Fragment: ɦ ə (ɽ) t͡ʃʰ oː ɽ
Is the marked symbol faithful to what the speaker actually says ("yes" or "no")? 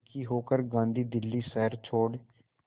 no